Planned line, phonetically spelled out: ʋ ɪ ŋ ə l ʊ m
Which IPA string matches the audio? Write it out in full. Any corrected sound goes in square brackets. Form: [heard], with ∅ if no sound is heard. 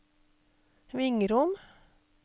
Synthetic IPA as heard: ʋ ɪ ŋ ə [ɾ] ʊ m